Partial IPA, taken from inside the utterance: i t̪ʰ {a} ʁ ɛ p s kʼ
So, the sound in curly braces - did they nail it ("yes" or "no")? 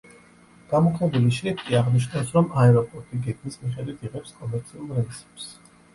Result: no